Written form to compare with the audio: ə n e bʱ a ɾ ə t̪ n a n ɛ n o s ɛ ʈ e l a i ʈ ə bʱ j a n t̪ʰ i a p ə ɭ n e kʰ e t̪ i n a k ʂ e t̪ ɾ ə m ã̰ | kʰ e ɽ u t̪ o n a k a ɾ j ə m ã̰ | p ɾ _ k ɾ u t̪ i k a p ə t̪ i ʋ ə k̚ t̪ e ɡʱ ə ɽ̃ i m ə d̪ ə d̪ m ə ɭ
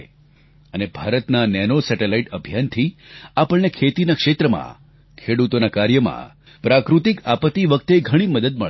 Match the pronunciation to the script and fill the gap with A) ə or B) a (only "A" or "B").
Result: B